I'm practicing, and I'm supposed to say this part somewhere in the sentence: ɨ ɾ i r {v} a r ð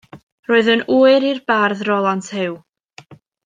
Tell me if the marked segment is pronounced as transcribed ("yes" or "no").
no